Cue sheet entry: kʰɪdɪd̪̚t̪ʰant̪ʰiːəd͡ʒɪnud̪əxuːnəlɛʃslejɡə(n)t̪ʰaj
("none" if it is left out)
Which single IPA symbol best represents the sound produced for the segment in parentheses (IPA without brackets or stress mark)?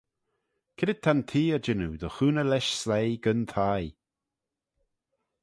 n